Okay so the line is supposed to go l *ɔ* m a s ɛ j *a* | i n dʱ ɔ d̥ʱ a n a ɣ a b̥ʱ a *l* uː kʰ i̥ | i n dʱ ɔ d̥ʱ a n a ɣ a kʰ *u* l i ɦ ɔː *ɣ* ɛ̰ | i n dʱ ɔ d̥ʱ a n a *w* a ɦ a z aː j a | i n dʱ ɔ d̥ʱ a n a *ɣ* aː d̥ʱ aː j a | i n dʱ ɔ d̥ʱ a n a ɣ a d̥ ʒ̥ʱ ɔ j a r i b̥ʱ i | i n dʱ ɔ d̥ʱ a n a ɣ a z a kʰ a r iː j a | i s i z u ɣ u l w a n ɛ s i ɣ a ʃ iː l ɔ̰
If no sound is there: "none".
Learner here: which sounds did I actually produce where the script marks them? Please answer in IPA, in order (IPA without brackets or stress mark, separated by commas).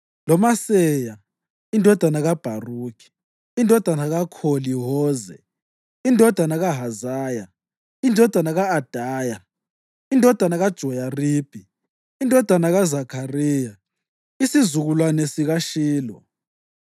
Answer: ɔ, a, r, o, z, ɣ, ɣ